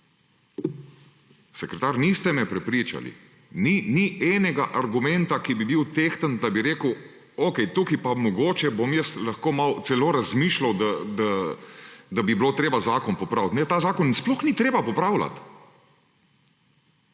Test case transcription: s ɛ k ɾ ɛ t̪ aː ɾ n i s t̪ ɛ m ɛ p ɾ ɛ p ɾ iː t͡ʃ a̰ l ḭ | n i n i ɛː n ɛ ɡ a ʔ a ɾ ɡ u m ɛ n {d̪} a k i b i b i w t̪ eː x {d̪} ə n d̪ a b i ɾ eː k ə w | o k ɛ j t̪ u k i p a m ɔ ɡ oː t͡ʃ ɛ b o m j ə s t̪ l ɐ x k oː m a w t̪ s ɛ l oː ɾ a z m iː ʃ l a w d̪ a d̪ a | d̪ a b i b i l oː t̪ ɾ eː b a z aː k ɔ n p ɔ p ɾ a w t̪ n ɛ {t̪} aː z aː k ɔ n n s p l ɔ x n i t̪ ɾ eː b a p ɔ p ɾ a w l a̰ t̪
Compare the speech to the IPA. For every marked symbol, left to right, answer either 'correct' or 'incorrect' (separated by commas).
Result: incorrect, incorrect, correct